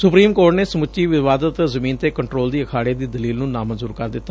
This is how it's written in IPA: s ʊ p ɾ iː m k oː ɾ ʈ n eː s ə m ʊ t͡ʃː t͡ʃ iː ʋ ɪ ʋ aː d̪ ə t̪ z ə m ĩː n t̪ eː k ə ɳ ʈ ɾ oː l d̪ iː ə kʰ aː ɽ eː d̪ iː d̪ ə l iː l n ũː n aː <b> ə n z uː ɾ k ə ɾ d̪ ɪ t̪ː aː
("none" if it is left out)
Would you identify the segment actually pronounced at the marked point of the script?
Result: m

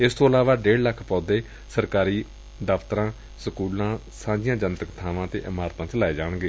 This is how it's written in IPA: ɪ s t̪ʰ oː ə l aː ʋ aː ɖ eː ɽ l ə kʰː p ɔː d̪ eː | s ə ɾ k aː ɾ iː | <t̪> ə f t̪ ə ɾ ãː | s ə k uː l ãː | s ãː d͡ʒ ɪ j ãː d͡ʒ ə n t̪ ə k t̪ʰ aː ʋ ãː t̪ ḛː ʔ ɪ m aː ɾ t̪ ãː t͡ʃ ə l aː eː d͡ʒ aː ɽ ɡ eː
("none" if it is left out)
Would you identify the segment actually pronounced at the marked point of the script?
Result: d̪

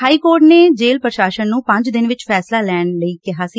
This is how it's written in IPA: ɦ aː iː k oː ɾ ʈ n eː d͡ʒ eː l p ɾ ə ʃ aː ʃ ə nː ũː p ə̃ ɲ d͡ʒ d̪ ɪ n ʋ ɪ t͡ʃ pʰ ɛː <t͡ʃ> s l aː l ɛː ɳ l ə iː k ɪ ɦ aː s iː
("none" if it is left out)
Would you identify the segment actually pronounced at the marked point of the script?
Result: none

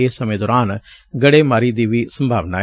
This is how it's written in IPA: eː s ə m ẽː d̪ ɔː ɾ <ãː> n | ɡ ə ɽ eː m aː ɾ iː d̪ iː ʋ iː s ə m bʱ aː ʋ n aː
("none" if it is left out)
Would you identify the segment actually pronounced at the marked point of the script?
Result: aː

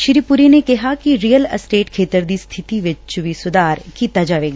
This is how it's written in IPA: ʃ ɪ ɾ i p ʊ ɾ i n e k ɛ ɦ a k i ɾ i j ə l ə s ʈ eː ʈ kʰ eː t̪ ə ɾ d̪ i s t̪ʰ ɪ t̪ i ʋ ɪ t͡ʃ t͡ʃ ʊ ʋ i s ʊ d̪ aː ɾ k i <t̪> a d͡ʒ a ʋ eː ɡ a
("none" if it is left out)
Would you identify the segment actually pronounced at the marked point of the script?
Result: t̪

